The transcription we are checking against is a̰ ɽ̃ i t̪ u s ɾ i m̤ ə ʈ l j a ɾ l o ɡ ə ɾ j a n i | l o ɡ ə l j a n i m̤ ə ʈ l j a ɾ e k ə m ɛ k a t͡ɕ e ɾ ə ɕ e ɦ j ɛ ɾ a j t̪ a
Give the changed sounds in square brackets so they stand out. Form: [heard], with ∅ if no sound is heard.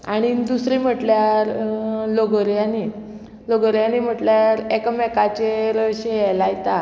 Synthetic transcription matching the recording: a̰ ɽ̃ i [d̪] u s ɾ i m̤ ə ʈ l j a ɾ l o ɡ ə ɾ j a n i | l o ɡ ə [ɾ] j a n i m̤ ə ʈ l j a ɾ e k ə m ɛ k a t͡ɕ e ɾ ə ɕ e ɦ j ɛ [l] a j t̪ a